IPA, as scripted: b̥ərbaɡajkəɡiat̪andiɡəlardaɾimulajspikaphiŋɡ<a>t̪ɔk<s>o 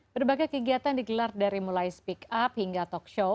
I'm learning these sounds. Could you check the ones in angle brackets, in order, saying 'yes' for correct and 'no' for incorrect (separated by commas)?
yes, no